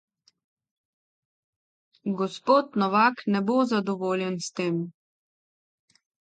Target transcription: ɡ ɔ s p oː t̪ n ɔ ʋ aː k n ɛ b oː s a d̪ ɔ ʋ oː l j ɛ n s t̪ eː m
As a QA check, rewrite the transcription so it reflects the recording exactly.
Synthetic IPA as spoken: ɡ ɔ s p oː t̪ n ɔ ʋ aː k n ɛ b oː z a d̪ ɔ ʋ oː l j ɛ n s t̪ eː m